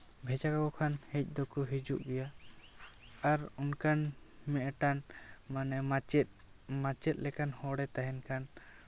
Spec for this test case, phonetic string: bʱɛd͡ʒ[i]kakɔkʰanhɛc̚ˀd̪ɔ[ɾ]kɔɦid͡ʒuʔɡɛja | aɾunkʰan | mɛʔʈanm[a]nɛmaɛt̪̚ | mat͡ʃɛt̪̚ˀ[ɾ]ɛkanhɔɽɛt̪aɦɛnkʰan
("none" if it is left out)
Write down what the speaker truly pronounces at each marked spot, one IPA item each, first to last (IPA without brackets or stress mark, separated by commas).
a, none, a, l